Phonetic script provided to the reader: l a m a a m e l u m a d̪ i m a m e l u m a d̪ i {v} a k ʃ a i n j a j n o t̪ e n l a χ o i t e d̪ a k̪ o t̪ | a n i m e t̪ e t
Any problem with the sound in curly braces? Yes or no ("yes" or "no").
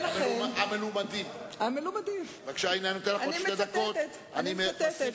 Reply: no